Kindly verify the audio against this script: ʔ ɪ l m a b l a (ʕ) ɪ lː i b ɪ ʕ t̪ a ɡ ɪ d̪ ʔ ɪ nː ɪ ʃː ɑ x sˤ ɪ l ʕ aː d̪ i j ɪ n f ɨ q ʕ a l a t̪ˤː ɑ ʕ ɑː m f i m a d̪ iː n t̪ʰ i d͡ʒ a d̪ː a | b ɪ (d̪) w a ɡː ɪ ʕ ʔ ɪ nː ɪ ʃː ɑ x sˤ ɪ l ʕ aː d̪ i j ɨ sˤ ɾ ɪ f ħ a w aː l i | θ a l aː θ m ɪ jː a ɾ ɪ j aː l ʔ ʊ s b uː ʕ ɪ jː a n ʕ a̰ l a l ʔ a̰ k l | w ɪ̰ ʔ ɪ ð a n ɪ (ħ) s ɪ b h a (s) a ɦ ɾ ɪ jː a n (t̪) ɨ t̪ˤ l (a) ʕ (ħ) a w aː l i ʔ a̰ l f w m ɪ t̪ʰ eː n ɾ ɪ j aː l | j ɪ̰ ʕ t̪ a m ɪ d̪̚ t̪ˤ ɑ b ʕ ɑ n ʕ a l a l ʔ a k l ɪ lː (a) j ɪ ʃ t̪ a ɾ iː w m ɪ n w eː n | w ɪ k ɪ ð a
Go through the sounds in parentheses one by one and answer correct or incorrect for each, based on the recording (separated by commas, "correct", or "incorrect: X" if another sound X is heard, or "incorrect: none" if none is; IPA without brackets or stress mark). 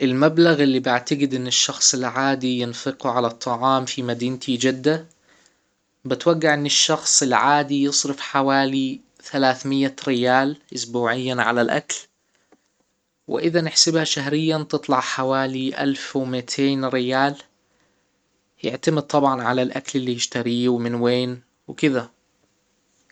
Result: incorrect: ɣ, incorrect: t̪, correct, incorrect: ʃ, correct, incorrect: ɑ, correct, incorrect: i